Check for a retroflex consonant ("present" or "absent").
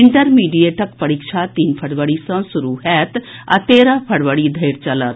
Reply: present